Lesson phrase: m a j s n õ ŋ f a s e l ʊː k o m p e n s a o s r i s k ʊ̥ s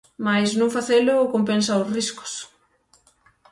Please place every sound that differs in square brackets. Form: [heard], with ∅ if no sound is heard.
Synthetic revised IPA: m a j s n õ ŋ f a [θ] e l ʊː k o m p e n s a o s r i s k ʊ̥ s